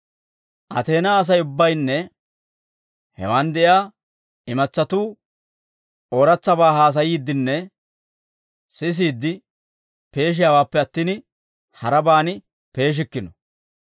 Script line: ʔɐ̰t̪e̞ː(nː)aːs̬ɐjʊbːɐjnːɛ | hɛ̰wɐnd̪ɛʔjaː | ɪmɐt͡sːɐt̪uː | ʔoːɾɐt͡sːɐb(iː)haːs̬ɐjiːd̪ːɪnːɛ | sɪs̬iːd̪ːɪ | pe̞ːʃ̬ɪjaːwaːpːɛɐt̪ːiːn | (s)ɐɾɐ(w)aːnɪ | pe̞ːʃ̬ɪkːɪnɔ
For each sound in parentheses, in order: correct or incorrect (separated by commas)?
incorrect, incorrect, incorrect, incorrect